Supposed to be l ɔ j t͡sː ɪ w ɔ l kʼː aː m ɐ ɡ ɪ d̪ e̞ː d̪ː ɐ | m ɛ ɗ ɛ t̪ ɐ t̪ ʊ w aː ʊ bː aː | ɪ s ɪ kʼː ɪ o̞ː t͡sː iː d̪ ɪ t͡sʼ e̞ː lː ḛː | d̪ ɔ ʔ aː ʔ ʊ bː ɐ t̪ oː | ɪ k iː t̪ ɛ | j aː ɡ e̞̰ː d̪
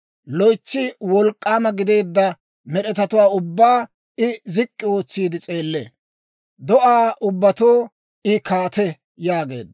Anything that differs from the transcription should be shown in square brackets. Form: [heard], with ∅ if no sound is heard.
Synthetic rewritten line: l ɔ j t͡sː ɪ w ɔ l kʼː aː m ɐ ɡ ɪ d̪ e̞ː d̪ː ɐ | m ɛ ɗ ɛ t̪ ɐ t̪ ʊ w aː ʊ bː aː | ɪ [z] ɪ kʼː ɪ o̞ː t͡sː iː d̪ ɪ t͡sʼ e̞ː lː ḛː | d̪ ɔ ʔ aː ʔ ʊ bː ɐ t̪ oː | ɪ k [aː] t̪ ɛ | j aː ɡ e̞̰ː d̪

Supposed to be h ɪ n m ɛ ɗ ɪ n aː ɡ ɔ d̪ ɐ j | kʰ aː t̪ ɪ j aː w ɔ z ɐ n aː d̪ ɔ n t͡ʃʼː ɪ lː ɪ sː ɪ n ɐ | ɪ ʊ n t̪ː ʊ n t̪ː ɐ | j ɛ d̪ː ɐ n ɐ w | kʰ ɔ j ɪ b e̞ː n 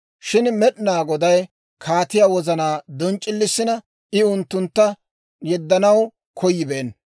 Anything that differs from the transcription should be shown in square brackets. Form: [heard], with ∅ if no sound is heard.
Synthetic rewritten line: [ʃ] ɪ n m ɛ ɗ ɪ n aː ɡ ɔ d̪ ɐ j | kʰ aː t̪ ɪ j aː w ɔ z ɐ n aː d̪ ɔ n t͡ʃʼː ɪ lː ɪ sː ɪ n ɐ | ɪ ʊ n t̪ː ʊ n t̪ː ɐ | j ɛ d̪ː ɐ n ɐ w | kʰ ɔ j ɪ b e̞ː n

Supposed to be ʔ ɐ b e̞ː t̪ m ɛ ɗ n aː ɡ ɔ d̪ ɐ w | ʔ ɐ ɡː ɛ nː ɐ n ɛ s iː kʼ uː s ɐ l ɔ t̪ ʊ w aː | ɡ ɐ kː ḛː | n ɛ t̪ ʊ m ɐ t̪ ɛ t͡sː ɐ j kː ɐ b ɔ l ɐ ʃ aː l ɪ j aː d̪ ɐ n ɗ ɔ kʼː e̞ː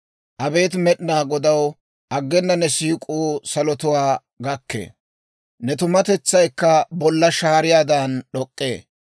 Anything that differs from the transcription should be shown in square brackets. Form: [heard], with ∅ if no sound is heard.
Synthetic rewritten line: ʔ ɐ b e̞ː t̪ m ɛ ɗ n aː ɡ ɔ d̪ ɐ w | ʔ ɐ ɡː ɛ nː ɐ n ɛ s iː kʼ uː s ɐ l ɔ t̪ ʊ w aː | ɡ ɐ kː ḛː | n ɛ t̪ ʊ m ɐ t̪ ɛ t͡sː ɐ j kː ɐ b ɔ [lː] ɐ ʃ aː [ɾ] ɪ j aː d̪ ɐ n ɗ ɔ kʼː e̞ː

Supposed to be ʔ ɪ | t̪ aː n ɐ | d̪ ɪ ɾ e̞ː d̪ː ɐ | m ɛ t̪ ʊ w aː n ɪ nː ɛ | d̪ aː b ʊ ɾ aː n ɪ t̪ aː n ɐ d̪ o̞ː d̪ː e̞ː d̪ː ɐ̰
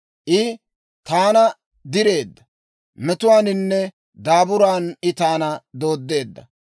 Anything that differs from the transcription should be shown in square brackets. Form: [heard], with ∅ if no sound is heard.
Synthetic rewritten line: ʔ ɪ | t̪ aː n ɐ | d̪ ɪ ɾ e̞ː d̪ː ɐ | m ɛ t̪ ʊ w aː n ɪ nː ɛ | d̪ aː b ʊ ɾ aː n ɪ t̪ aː n ɐ d̪ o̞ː d̪ː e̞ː d̪ː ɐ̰

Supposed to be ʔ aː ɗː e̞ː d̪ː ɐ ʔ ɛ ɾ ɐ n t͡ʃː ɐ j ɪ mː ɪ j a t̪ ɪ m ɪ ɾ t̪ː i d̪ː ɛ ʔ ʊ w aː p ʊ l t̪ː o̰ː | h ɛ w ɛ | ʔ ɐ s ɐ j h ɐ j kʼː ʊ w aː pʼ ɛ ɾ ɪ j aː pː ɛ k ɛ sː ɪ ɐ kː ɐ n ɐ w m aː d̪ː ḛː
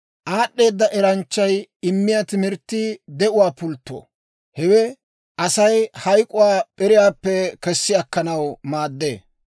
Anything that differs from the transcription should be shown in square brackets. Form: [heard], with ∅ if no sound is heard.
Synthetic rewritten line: ʔ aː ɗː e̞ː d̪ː ɐ ʔ ɛ ɾ ɐ n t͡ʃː ɐ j ɪ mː ɪ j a t̪ ɪ m ɪ ɾ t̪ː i [d̪] ɛ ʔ ʊ w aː p ʊ l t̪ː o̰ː | h ɛ w ɛ | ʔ ɐ s ɐ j h ɐ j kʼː ʊ w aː pʼ ɛ ɾ ɪ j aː pː ɛ k ɛ sː ɪ ɐ kː ɐ n ɐ w m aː d̪ː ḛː

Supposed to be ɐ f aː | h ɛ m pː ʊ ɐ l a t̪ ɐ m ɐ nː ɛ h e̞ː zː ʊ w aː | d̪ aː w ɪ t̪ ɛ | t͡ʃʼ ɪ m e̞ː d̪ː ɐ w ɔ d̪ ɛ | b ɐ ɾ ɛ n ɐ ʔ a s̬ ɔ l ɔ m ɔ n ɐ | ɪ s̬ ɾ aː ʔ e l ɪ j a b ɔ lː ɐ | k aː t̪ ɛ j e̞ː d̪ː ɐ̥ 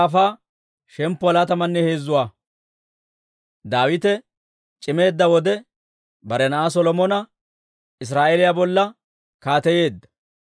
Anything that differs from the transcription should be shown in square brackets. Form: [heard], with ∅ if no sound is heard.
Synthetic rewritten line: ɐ f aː | [ʃ] ɛ m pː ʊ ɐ l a t̪ ɐ m ɐ nː ɛ h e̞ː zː ʊ w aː | d̪ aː w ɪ t̪ ɛ | t͡ʃʼ ɪ m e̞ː d̪ː ɐ w ɔ d̪ ɛ | b ɐ ɾ ɛ n ɐ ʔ a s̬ ɔ l ɔ m ɔ n ɐ | ɪ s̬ ɾ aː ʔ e l ɪ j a b ɔ lː ɐ | k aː t̪ ɛ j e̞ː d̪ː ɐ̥

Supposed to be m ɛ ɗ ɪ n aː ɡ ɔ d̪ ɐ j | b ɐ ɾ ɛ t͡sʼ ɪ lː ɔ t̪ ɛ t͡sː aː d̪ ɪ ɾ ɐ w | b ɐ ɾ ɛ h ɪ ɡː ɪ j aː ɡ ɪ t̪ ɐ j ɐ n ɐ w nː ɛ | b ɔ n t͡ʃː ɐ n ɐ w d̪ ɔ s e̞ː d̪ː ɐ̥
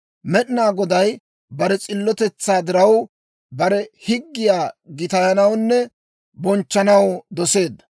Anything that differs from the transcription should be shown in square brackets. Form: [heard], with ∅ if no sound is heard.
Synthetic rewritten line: m ɛ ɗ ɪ n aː ɡ ɔ d̪ ɐ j | b ɐ ɾ ɛ t͡sʼ ɪ lː ɔ t̪ ɛ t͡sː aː d̪ ɪ ɾ ɐ w | b ɐ ɾ ɛ h ɪ ɡː ɪ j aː ɡ ɪ t̪ ɐ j ɐ n ɐ w nː ɛ | b ɔ n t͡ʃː ɐ n ɐ w d̪ ɔ s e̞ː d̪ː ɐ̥

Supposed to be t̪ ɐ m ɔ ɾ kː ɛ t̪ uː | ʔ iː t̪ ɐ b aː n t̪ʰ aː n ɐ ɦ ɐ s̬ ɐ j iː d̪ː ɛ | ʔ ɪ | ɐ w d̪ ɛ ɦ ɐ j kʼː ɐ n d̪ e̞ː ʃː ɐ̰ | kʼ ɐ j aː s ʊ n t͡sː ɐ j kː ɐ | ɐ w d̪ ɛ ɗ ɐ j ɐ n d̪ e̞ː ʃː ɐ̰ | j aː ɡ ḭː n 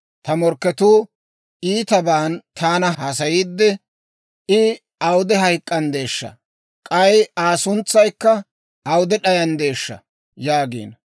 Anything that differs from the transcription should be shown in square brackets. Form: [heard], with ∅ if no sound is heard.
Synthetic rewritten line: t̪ ɐ m ɔ ɾ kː ɛ t̪ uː | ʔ iː t̪ ɐ b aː n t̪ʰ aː n ɐ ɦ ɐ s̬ ɐ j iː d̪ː ɛ | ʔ ɪ | ɐ w d̪ ɛ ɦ ɐ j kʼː ɐ n d̪ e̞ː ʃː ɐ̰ | kʼ ɐ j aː s ʊ n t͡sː ɐ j kː ɐ | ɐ w d̪ ɛ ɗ ɐ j ɐ n d̪ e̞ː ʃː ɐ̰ | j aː ɡ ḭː n

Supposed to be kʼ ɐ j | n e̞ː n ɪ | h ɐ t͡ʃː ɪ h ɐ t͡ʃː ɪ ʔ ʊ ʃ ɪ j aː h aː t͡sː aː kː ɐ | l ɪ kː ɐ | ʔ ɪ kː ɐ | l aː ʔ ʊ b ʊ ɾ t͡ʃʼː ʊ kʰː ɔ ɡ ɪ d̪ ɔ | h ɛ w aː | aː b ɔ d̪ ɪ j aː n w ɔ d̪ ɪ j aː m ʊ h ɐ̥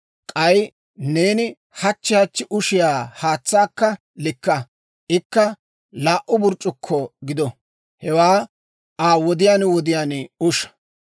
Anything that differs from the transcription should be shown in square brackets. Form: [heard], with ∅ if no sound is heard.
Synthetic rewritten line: kʼ ɐ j | n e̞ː n ɪ | h ɐ t͡ʃː ɪ h ɐ t͡ʃː ɪ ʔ ʊ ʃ ɪ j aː h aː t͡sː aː kː ɐ | l ɪ kː ɐ | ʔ ɪ kː ɐ | l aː ʔ ʊ b ʊ ɾ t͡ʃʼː ʊ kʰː ɔ ɡ ɪ d̪ ɔ | h ɛ w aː | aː [w] ɔ d̪ ɪ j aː n w ɔ d̪ ɪ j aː [n] ʊ [ʃ] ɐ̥

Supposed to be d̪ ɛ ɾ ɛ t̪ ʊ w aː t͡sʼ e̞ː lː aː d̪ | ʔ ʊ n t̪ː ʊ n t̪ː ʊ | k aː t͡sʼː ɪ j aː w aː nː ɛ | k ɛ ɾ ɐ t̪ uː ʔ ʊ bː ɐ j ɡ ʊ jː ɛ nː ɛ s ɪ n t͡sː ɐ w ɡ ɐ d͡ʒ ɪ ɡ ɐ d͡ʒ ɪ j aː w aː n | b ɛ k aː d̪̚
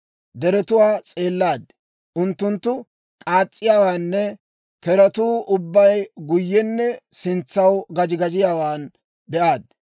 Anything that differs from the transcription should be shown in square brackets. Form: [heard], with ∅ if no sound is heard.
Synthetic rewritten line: d̪ ɛ ɾ ɛ t̪ ʊ w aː t͡sʼ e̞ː lː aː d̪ | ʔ ʊ n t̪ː ʊ n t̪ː ʊ | [kʼ] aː t͡sʼː ɪ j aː w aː nː ɛ | k ɛ ɾ ɐ t̪ uː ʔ ʊ bː ɐ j ɡ ʊ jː ɛ nː ɛ s ɪ n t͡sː ɐ w ɡ ɐ d͡ʒ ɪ ɡ ɐ d͡ʒ ɪ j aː w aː n | b ɛ [ʔ] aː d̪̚

